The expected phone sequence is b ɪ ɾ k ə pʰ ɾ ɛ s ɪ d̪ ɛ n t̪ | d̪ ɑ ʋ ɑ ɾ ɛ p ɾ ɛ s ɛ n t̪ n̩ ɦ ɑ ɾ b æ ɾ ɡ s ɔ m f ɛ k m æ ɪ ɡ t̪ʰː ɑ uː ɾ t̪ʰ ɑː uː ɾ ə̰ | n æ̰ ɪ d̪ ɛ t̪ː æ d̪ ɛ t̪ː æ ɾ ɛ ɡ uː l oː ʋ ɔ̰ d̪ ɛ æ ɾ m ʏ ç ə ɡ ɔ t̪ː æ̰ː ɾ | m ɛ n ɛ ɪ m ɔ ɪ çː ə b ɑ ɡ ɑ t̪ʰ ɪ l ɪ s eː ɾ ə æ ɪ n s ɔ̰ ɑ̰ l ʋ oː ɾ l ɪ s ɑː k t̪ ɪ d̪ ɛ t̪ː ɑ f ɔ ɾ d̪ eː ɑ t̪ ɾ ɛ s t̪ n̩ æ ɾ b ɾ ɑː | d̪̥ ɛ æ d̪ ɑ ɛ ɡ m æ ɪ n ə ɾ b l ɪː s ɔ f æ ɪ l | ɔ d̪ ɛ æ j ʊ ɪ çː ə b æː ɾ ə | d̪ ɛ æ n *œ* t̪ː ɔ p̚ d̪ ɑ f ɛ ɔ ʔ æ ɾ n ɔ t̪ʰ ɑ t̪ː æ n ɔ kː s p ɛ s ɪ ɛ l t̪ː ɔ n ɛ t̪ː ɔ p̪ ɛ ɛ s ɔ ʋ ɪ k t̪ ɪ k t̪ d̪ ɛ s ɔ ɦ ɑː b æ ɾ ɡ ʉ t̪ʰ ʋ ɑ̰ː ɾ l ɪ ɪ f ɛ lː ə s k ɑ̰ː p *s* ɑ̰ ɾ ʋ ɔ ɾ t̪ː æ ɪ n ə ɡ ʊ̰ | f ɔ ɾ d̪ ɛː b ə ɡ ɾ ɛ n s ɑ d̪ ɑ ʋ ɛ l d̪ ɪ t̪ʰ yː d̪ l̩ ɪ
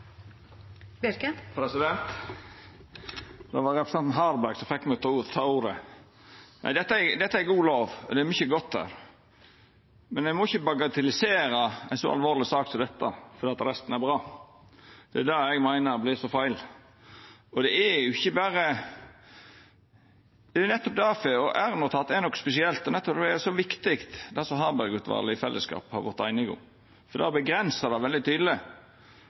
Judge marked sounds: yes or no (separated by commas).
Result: no, no